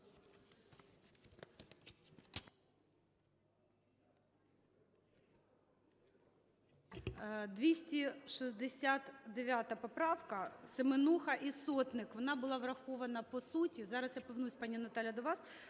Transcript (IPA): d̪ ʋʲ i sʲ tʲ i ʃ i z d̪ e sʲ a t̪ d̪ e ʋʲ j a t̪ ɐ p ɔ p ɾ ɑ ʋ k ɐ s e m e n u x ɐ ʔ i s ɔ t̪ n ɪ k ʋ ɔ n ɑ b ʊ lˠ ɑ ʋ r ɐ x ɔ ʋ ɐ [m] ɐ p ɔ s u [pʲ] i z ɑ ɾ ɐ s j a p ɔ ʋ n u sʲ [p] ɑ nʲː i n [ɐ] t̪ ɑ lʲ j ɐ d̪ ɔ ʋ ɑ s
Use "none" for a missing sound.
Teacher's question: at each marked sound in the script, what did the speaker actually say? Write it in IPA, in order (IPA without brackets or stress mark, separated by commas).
n, tʲ, p, ɐ